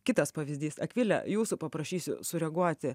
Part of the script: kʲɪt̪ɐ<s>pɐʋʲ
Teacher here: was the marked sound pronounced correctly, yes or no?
yes